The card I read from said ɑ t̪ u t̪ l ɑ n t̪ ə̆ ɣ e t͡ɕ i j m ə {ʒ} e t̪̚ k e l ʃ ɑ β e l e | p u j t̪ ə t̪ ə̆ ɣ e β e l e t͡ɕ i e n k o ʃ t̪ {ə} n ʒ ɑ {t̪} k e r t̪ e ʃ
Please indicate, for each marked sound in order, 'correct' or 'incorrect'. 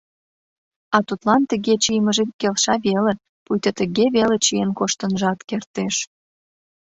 correct, correct, correct

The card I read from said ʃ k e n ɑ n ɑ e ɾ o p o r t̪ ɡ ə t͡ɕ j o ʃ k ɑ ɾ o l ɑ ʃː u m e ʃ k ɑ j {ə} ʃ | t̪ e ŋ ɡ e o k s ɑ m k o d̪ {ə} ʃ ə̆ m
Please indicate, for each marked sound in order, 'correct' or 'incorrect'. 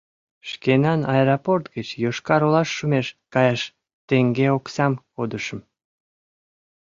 incorrect: ɑ, correct

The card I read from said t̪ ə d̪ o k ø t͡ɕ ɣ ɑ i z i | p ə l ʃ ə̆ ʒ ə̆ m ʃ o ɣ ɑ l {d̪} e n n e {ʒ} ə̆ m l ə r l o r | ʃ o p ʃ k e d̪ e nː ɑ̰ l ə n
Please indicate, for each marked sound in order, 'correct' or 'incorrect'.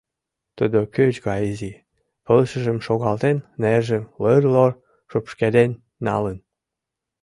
incorrect: t̪, correct

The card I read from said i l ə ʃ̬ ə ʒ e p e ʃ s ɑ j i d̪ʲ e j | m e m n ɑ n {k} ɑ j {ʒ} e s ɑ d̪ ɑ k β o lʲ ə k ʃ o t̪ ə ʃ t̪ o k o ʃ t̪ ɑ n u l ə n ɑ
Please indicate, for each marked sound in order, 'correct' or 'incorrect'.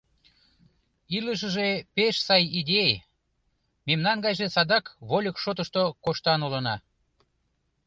incorrect: ɡ, correct

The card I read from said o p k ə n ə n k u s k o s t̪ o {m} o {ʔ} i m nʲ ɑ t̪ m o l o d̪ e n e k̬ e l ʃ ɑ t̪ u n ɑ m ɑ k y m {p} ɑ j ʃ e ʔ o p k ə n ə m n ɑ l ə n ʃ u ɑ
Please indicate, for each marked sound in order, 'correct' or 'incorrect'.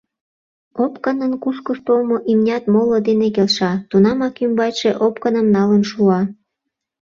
correct, correct, incorrect: b

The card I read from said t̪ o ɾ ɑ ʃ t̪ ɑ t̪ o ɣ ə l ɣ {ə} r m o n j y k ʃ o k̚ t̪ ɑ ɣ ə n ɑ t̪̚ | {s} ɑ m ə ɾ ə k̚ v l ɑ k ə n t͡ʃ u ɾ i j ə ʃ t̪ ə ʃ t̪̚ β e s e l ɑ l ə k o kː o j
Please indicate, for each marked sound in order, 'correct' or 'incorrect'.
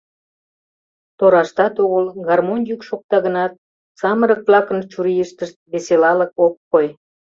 incorrect: ɑ, correct

